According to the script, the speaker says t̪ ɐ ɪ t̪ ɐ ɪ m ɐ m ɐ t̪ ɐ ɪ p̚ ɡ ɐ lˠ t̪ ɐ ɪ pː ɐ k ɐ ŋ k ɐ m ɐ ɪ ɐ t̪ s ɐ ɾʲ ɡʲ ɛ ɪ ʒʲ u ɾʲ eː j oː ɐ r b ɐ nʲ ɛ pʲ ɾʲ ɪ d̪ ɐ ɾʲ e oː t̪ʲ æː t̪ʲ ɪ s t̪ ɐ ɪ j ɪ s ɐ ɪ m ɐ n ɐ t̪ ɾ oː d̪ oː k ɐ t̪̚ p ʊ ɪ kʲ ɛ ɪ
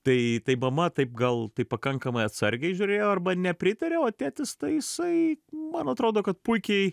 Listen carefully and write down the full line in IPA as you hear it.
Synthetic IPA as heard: t̪ ɐ ɪ t̪ ɐ ɪ m ɐ m ɐ t̪ ɐ ɪ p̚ ɡ ɐ lˠ t̪ ɐ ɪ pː ɐ k ɐ ŋ k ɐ m ɐ ɪ ɐ t̪ s ɐ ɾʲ ɡʲ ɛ ɪ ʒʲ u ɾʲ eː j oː ɐ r b ɐ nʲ ɛ pʲ ɾʲ ɪ t̪ ɐ ɾʲ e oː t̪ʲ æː t̪ʲ ɪ s t̪ ɐ ɪ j ɪ s ɐ ɪ m ɐ n ɐ t̪ ɾ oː d̪ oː k ɐ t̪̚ p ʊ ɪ kʲ ɛ ɪ